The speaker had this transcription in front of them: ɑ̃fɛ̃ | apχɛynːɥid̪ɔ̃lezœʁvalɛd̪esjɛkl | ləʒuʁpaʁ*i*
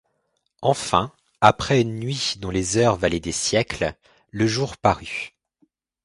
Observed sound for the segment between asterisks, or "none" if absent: y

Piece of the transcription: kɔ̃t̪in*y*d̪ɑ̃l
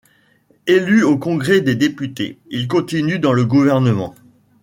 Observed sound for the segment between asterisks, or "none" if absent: y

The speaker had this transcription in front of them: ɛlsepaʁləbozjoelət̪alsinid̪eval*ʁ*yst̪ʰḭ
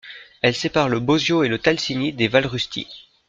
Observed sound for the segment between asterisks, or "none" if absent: ʁ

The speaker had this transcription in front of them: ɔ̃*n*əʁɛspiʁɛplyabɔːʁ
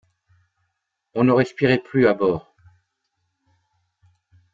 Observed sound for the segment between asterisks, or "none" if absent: n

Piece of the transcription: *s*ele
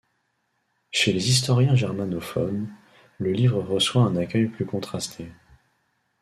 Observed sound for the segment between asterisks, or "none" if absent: ʃ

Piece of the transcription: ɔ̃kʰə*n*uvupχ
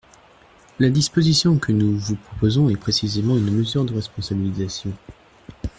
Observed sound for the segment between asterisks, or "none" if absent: n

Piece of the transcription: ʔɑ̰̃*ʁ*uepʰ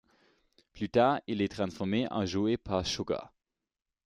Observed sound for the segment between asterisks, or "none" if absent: ʒ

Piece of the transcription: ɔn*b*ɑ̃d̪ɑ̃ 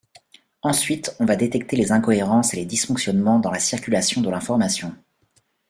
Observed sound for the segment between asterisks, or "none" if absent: m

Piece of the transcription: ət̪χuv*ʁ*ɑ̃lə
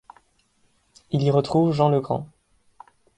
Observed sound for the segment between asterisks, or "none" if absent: ʒ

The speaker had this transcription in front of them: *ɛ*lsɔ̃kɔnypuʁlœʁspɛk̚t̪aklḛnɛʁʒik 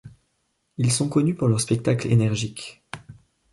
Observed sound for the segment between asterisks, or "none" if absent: i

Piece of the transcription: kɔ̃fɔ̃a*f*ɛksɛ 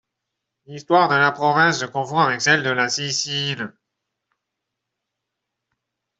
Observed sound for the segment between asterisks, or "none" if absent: v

